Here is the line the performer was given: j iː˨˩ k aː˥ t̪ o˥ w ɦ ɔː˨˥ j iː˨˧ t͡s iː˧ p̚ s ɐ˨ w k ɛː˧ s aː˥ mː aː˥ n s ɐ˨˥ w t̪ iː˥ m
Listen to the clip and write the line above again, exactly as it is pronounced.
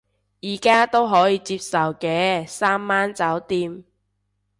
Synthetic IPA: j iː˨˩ k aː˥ t̪ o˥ w ɦ ɔː˨˥ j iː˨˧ t͡s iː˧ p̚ s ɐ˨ w k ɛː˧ s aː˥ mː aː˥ n t͡s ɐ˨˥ w t̪ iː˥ m

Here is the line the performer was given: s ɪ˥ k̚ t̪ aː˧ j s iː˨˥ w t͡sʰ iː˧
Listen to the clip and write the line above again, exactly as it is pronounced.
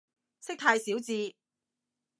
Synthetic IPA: s ɪ˥ k̚ t̪ʰ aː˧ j s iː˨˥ w t͡s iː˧

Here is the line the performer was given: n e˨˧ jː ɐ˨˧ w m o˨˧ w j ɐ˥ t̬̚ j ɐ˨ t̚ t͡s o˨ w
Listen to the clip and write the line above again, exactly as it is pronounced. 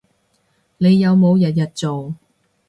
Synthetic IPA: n e˨˧ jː ɐ˨˧ w m o˨˧ w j ɐ˨ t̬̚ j ɐ˨ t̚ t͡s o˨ w

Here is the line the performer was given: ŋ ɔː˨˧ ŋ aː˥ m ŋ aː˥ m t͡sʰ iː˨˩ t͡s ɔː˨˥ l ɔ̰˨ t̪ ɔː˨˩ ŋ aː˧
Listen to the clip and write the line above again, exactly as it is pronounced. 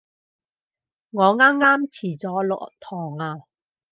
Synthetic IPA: ŋ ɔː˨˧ ŋ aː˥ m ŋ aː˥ m t͡sʰ iː˨˩ t͡s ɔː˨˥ l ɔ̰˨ t̪ʰ ɔː˨˩ ŋ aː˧

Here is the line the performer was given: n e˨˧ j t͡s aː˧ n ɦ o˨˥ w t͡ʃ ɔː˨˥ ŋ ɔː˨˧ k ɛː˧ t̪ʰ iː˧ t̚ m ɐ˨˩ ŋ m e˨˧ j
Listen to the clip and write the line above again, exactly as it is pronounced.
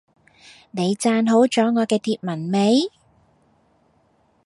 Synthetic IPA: n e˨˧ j t͡s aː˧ n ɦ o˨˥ w t͡ʃ ɔː˨˥ ŋ ɔː˨˧ k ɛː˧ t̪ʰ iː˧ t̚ m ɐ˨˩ n m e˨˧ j

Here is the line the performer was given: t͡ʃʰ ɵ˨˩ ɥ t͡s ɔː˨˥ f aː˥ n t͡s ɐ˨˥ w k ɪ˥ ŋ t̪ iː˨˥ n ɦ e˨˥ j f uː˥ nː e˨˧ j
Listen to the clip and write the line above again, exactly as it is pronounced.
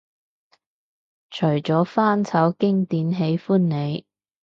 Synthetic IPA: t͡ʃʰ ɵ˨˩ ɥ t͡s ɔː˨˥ f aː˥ n t͡sʰ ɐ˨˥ w k ɪ˥ ŋ t̪ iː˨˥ n ɦ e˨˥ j f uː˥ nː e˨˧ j

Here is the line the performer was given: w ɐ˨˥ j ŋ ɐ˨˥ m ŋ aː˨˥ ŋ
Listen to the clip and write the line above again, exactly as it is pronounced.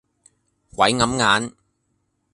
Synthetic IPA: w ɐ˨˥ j ŋ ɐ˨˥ m ŋ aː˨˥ n

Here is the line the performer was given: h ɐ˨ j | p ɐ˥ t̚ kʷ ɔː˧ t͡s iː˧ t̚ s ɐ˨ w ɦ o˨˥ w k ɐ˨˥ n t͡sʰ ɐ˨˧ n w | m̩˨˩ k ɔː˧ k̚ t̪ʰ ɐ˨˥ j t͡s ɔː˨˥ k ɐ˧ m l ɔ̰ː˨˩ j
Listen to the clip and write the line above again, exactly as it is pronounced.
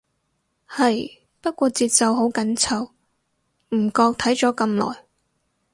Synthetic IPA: h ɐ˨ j | p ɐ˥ t̚ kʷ ɔː˧ t͡s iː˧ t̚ s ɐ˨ w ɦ o˨˥ w k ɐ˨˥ n t͡sʰ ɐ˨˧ w | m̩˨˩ k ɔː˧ k̚ t̪ʰ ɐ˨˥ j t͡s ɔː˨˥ k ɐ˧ m l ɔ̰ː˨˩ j

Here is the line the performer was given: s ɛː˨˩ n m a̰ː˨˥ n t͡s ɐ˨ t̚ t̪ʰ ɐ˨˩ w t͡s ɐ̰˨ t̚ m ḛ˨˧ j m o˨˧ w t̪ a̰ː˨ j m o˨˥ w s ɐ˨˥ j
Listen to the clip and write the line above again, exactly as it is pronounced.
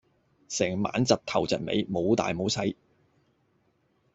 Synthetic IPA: s ɛː˨˩ ŋ m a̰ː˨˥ n t͡s ɐ˨ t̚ t̪ʰ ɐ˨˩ w t͡s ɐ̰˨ t̚ m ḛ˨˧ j m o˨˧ w t̪ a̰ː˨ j m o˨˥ w s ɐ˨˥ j

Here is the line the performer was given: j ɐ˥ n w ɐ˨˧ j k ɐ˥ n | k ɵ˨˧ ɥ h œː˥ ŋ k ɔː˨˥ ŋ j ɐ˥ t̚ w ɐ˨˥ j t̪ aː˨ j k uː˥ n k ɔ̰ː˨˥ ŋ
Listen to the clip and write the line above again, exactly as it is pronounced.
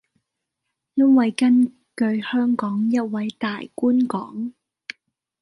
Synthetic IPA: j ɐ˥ n w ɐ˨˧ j k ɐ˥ n | k ɵ˨˧ ɥ h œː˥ ŋ k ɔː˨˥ ŋ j ɐ˥ t̚ w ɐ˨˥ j t̪ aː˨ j k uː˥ n k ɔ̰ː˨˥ ŋ

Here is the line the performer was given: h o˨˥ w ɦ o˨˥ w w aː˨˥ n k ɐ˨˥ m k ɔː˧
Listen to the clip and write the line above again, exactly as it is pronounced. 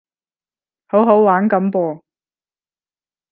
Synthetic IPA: h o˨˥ w ɦ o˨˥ w w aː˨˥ n k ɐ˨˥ m p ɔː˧

